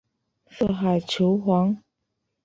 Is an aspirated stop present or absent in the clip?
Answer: present